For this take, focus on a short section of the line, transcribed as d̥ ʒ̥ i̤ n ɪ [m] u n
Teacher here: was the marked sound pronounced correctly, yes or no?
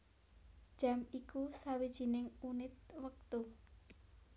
no